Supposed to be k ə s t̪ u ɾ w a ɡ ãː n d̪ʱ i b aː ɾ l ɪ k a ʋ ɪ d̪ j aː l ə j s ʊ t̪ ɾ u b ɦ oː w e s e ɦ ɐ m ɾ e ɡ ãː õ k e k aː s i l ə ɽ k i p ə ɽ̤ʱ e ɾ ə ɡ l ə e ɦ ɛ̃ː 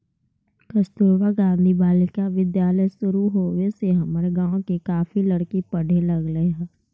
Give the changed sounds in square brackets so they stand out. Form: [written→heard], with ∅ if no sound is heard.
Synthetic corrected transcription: k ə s t̪ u ɾ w a ɡ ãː n d̪ʱ i b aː [ɾ→∅] l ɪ k a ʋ ɪ d̪ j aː l ə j s ʊ [t̪→∅] ɾ u [b→∅] ɦ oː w e s e ɦ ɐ m ɾ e ɡ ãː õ k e k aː [s→f] i l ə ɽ k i p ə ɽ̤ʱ e [ɾ→l] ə ɡ l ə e ɦ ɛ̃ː